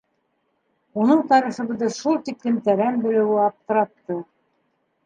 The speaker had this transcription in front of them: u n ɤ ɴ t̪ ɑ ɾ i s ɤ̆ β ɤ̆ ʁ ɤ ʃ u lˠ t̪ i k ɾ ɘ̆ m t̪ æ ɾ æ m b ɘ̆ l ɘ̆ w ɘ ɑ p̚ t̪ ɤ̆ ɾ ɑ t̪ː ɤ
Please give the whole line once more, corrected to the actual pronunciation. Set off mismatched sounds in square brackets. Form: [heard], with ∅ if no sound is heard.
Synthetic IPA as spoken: u n ɤ ɴ t̪ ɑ ɾ i [χ] ɤ̆ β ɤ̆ [ð] ɤ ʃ u lˠ t̪ i k [l] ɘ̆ m t̪ æ ɾ æ m b ɘ̆ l ɘ̆ w ɘ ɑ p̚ t̪ ɤ̆ ɾ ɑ t̪ː ɤ